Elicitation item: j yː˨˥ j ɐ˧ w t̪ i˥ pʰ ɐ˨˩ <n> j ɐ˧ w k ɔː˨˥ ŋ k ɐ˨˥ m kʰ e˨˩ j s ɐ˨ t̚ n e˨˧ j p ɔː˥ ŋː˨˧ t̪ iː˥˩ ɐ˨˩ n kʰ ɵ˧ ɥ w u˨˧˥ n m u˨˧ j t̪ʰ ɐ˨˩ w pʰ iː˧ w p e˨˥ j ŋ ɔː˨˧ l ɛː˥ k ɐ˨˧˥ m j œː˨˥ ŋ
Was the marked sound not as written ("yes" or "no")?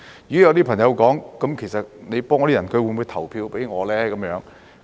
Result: yes